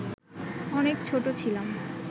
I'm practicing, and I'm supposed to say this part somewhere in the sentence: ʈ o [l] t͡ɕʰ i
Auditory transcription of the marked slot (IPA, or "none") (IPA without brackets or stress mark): none